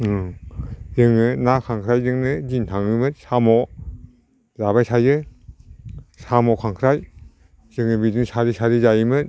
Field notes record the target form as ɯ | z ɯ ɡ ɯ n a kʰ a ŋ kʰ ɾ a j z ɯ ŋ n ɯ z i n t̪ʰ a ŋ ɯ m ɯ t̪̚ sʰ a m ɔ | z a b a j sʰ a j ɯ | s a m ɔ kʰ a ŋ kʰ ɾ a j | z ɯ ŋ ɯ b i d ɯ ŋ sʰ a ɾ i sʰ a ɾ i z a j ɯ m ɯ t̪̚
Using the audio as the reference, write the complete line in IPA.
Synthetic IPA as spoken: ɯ | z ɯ ŋ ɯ n a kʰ a ŋ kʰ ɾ a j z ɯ ŋ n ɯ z i n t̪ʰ a ŋ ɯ m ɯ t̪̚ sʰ a m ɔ | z a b a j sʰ a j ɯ | s a m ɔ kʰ a ŋ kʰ ɾ a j | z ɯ ŋ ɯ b i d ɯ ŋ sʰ a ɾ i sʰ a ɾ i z a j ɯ m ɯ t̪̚